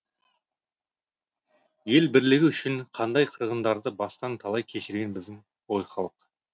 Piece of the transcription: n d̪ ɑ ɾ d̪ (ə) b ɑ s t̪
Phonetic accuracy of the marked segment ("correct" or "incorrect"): correct